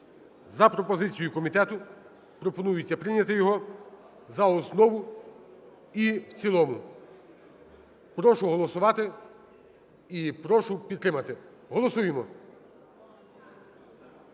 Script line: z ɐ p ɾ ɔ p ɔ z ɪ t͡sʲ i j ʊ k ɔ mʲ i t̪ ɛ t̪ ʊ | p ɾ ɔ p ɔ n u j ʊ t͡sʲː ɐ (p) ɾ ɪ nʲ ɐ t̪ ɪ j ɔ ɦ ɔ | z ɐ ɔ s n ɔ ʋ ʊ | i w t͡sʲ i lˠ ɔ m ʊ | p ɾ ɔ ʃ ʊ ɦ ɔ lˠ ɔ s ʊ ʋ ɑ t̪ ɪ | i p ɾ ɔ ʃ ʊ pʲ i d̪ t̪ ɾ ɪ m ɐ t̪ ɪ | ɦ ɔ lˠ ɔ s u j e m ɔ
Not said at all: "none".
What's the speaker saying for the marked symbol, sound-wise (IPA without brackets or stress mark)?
p